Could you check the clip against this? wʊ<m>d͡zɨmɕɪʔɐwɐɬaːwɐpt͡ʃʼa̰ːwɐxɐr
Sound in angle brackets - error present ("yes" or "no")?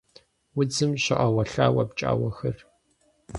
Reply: yes